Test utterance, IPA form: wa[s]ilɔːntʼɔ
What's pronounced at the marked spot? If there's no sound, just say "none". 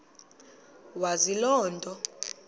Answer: z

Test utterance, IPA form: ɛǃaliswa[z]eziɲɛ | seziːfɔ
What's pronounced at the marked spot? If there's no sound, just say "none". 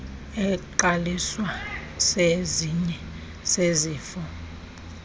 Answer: s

